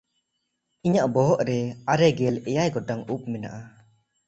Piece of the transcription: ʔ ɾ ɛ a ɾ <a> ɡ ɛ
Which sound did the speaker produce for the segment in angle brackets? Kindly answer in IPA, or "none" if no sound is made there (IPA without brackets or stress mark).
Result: ɛ